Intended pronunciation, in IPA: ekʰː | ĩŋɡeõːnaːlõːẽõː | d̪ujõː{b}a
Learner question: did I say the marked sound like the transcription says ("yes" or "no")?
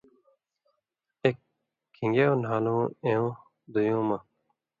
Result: no